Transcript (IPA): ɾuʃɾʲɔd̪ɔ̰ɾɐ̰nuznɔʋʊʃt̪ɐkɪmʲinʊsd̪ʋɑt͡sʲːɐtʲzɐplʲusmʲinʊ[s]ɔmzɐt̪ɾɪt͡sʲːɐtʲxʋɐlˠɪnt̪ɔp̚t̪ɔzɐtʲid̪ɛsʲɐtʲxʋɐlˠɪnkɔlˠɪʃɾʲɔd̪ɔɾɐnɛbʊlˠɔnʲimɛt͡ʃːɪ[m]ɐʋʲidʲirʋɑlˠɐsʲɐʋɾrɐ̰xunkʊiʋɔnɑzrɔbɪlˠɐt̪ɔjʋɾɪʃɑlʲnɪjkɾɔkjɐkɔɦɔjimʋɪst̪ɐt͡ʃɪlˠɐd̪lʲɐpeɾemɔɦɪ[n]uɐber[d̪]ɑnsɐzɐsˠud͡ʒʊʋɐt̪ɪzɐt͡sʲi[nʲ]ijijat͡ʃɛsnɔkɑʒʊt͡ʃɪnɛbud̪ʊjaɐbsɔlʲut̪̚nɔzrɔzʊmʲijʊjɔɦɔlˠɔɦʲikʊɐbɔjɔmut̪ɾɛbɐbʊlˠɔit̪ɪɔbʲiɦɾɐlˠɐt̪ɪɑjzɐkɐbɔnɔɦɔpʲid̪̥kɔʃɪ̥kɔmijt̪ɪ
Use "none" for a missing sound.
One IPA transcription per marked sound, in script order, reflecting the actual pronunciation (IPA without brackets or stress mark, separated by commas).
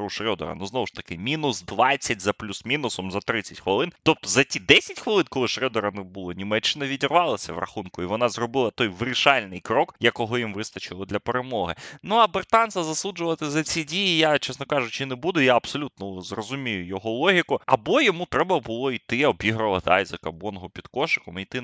s, n, n, t̪, dʲ